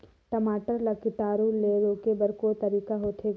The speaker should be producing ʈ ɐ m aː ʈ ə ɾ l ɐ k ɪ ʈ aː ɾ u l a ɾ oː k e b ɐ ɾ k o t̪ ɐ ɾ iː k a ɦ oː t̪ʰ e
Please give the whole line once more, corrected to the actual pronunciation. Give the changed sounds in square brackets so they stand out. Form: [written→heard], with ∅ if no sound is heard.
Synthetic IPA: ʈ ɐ m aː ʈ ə ɾ l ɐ k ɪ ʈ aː ɾ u l [a→e] ɾ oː k e b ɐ ɾ k o t̪ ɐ ɾ iː k a ɦ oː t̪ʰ e